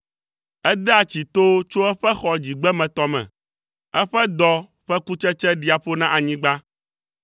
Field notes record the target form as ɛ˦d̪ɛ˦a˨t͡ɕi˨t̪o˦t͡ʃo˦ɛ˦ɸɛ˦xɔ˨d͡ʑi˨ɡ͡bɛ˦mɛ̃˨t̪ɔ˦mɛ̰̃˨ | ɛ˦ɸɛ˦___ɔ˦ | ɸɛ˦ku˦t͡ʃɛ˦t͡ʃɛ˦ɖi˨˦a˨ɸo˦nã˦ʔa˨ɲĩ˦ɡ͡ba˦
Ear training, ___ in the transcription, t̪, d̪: d̪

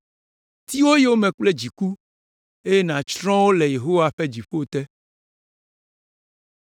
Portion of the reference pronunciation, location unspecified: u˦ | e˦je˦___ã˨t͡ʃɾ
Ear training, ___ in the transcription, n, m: n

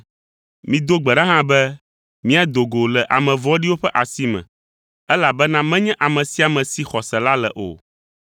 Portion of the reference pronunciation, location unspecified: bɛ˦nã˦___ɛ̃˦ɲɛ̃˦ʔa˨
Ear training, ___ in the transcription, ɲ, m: m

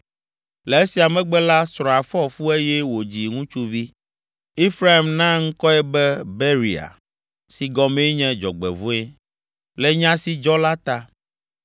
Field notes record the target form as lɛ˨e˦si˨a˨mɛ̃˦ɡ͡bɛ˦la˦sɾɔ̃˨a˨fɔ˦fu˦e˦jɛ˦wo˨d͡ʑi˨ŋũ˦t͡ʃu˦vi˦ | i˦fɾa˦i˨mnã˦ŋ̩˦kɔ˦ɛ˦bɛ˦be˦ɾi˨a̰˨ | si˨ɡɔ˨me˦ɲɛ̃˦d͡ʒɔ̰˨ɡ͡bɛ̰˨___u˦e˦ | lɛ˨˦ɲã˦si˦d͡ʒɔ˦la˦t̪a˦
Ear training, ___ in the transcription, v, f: v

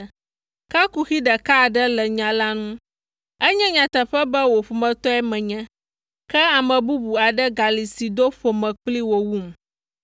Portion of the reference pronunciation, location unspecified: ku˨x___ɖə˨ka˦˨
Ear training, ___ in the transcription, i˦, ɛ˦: i˦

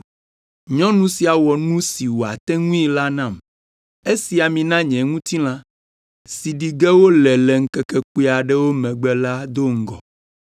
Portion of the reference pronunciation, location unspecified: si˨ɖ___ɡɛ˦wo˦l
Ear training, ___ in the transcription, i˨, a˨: i˨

